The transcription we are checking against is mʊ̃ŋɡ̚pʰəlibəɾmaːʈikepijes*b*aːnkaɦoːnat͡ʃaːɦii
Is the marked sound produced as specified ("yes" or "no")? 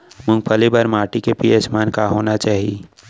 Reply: no